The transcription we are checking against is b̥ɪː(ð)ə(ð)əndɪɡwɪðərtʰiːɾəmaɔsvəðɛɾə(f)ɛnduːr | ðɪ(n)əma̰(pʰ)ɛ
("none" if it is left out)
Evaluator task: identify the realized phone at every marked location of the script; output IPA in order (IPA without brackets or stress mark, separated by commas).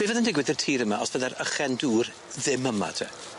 v, ð, χ, m, tʰ